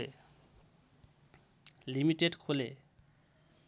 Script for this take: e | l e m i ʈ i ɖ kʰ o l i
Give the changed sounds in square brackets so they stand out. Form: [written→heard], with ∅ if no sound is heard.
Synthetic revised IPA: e | l [e→i] m i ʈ [i→e] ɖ kʰ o l [i→e]